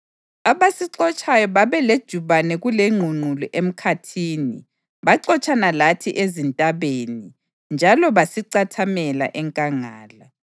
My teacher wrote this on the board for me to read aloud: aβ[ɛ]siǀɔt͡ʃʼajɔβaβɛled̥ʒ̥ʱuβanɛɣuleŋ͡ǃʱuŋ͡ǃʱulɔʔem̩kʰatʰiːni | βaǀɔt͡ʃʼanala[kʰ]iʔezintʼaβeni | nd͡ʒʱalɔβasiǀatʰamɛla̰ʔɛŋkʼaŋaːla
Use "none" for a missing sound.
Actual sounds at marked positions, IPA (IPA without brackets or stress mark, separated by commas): a, tʰ